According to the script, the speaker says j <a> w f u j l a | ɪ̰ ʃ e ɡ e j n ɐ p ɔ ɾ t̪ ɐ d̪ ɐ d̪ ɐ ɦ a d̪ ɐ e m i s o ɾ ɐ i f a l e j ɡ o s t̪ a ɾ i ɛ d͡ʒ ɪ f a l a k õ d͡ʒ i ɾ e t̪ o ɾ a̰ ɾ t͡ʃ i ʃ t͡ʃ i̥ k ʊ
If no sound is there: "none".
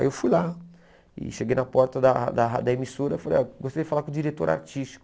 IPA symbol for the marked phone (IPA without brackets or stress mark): e